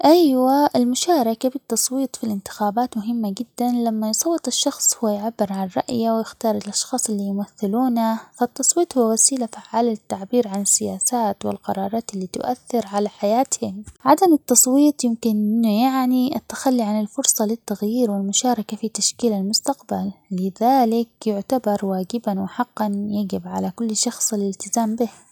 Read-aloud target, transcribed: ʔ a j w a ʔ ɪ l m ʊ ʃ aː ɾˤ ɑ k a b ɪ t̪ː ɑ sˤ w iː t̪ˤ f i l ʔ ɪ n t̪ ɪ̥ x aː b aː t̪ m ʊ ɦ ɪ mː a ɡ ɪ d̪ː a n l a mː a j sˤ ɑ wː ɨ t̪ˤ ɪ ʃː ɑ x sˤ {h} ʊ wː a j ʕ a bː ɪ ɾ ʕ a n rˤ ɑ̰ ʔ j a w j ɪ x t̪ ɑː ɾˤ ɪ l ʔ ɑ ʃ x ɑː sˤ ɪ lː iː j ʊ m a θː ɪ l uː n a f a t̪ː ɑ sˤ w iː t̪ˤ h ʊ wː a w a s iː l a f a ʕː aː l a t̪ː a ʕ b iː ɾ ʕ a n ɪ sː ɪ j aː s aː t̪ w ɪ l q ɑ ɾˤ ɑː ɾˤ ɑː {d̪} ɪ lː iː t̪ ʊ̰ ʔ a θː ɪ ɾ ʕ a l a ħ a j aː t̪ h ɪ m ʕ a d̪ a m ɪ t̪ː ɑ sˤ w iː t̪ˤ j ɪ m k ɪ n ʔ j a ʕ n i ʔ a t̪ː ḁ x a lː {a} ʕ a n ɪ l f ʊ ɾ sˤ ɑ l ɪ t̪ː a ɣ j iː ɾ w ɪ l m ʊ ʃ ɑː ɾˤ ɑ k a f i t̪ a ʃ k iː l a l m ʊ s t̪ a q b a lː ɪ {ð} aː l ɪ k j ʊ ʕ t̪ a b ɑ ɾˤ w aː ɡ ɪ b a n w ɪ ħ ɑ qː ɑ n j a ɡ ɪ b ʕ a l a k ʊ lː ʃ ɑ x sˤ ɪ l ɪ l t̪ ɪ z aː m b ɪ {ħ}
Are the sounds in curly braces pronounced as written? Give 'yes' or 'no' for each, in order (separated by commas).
yes, no, no, yes, no